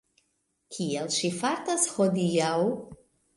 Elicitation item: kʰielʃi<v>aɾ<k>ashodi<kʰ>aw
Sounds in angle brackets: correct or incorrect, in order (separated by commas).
incorrect, incorrect, incorrect